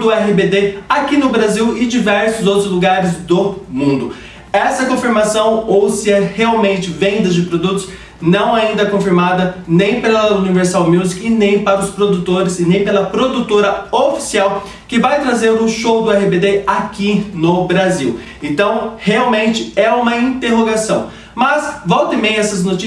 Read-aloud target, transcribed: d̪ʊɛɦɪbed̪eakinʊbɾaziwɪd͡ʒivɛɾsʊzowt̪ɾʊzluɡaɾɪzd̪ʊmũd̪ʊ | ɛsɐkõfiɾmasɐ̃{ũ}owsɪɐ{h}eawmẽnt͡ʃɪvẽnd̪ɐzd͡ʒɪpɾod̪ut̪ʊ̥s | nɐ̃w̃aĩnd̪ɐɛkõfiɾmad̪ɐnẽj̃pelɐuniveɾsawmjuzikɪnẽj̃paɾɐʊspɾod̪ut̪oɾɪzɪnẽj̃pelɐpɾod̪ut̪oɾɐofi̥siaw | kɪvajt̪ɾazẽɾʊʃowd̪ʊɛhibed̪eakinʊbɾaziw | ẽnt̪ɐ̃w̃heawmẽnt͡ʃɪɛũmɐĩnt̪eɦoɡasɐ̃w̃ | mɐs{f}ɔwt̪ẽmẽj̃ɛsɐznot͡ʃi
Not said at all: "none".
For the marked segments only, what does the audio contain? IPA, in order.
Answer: w̃, h, v

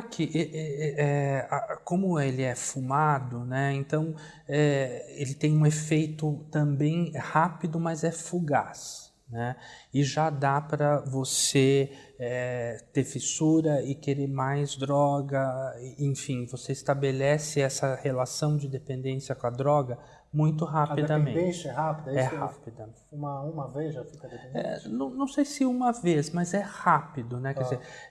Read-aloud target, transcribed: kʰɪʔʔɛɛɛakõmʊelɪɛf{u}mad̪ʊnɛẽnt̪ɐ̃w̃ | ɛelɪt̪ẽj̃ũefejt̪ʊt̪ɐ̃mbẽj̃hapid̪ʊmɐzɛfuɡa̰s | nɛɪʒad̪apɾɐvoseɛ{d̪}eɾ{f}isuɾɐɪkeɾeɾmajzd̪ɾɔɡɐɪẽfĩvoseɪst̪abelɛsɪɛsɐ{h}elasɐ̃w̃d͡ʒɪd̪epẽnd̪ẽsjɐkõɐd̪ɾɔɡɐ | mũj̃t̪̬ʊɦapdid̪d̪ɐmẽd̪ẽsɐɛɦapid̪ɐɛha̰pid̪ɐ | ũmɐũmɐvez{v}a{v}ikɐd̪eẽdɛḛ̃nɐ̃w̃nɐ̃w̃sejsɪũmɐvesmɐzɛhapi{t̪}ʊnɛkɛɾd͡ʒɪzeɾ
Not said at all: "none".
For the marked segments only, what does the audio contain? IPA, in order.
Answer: u, t̪, f, h, ʒ, f, d̪

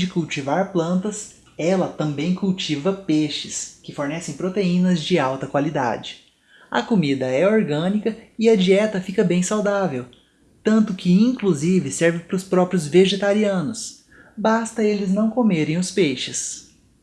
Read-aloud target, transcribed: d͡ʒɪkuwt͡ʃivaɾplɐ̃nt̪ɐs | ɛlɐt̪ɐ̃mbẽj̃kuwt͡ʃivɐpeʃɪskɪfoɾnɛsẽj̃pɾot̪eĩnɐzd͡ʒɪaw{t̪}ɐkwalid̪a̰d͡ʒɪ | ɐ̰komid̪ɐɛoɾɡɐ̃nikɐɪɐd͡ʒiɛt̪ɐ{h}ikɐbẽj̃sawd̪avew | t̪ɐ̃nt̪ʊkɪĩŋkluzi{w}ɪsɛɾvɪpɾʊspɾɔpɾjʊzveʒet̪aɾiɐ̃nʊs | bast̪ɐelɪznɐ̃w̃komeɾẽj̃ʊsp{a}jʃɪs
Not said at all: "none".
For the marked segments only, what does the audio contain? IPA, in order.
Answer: t̪, f, v, e

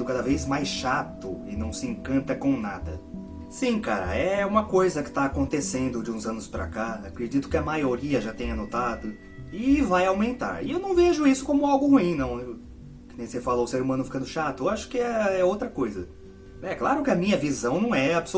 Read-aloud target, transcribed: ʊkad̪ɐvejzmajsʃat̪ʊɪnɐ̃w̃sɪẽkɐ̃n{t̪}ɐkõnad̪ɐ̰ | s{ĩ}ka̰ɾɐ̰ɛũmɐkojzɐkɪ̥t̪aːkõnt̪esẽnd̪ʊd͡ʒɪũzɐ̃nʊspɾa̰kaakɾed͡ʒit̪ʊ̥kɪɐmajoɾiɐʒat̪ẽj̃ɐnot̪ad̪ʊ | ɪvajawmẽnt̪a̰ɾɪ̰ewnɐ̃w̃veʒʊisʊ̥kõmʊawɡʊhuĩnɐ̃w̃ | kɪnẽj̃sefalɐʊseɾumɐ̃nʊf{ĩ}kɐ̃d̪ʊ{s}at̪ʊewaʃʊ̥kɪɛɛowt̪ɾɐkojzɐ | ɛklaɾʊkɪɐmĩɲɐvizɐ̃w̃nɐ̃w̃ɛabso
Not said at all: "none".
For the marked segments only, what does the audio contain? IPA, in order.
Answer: t̪, ĩ, i, ʃ

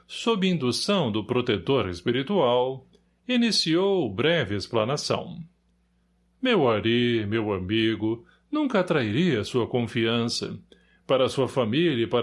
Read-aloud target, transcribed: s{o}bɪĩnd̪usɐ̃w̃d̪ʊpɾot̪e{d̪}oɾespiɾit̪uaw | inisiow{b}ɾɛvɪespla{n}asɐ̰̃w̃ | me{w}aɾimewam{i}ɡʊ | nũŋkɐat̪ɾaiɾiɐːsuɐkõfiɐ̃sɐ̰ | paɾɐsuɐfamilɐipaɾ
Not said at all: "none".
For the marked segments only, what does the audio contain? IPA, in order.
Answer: o, t̪, b, n, w, i

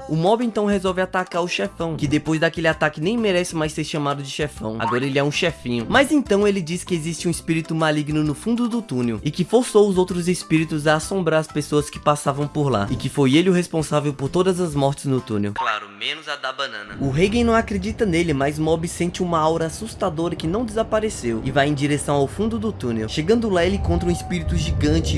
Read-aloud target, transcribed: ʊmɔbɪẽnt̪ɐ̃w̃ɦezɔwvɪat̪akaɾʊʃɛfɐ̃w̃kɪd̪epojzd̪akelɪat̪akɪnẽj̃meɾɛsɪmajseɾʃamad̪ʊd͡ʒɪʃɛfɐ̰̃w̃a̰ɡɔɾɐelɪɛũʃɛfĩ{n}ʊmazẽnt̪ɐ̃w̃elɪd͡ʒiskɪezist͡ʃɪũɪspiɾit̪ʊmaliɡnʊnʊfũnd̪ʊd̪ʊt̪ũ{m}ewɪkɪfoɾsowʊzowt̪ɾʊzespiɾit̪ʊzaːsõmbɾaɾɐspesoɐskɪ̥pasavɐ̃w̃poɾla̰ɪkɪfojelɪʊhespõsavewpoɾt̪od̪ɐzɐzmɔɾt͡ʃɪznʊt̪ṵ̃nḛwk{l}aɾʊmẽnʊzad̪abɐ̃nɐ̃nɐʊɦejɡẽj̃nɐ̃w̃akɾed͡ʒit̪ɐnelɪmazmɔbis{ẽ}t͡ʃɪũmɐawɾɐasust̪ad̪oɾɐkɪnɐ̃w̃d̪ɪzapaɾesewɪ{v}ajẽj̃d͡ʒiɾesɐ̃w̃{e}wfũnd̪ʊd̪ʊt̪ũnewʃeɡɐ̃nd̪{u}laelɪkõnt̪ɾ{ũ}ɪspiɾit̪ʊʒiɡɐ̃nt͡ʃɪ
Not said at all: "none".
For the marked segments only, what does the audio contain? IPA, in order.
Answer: ɲ, n, l, ẽ, v, a, ʊ, ũ

